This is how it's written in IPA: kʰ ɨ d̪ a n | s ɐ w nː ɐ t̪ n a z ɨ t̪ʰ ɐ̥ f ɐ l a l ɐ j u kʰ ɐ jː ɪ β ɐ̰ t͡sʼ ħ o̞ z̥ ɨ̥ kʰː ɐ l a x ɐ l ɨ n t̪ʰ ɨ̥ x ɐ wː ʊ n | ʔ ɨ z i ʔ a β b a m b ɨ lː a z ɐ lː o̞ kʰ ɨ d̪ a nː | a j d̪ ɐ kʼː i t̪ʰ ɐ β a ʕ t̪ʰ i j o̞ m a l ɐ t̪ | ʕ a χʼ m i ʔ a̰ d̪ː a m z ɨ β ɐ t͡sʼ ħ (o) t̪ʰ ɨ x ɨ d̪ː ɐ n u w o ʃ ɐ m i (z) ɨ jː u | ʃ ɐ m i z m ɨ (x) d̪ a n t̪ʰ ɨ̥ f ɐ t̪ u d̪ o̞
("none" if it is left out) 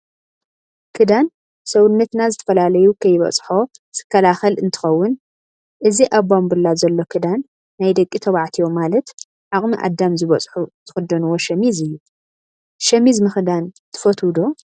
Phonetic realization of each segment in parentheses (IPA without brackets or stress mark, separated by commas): u, z, x